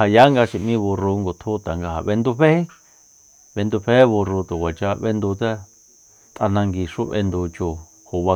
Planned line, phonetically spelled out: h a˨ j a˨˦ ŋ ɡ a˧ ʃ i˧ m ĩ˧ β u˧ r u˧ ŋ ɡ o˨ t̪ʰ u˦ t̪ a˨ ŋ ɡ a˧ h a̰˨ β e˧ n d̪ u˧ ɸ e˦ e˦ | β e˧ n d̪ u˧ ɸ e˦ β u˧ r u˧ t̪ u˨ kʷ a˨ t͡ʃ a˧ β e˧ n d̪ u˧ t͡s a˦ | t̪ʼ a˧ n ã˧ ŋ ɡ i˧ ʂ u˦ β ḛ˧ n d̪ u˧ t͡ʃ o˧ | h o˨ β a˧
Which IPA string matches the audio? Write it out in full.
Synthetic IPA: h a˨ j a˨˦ ŋ ɡ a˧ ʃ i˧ m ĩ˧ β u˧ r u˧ ŋ ɡ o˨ t̪ʰ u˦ t̪ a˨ ŋ ɡ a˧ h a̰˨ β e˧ n d̪ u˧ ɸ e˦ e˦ | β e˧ n d̪ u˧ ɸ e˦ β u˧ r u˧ t̪ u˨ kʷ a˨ t͡ʃ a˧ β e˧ n d̪ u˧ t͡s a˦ | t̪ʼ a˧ n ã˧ ŋ ɡ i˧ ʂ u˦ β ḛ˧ n d̪ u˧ t͡ʃ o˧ | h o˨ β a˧

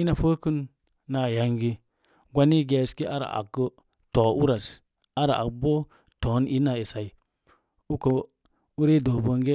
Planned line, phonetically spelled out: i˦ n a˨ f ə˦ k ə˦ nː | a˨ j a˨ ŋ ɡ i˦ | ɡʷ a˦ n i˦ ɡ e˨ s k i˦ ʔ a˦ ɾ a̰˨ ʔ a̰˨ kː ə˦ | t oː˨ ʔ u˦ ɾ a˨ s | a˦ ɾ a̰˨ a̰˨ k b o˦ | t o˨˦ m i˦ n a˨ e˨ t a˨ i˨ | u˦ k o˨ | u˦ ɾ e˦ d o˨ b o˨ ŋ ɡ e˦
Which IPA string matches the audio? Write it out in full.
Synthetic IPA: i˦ n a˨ f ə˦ k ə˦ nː | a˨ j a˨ ŋ ɡ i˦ | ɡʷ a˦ n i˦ ɡ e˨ s k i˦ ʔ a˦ ɾ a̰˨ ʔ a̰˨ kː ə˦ | t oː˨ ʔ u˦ ɾ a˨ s | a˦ ɾ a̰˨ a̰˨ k b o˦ | t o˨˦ n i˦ n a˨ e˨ s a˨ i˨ | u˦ k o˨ | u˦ ɾ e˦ d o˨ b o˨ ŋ ɡ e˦

